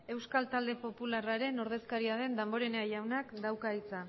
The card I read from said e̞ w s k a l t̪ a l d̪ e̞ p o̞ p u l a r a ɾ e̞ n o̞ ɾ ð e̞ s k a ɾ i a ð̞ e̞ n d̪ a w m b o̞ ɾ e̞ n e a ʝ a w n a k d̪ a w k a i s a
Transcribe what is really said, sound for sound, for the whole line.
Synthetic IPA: e̞ w s k a l t̪ a l d̪ e̞ p o̞ p u l a r a ɾ e̞ n o̞ ɾ ð e̞ s k a ɾ i a ð̞ e̞ n d̪ a m b o̞ ɾ e̞ n e a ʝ a w n a k d̪ a w k a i t͡s a